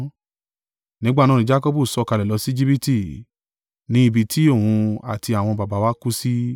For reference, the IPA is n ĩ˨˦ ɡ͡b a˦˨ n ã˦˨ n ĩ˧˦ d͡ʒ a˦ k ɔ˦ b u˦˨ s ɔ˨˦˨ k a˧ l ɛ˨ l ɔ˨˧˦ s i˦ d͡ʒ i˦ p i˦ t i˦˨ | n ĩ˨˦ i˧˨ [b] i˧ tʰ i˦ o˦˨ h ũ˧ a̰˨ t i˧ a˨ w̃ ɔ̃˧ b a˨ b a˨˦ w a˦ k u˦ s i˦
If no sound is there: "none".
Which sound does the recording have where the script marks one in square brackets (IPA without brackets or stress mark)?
b